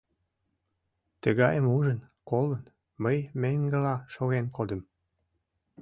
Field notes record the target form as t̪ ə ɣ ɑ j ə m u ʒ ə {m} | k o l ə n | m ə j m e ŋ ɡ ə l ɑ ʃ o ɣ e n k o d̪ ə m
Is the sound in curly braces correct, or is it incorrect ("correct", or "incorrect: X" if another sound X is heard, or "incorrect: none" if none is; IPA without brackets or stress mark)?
incorrect: n